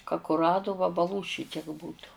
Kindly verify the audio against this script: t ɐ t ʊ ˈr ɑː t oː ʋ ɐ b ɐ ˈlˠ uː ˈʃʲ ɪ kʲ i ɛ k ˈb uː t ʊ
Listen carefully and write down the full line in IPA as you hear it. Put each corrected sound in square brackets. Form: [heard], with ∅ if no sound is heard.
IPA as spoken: [k] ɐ [k] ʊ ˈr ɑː [d] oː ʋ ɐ b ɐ ˈlˠ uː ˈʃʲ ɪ [tʲ] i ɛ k ˈb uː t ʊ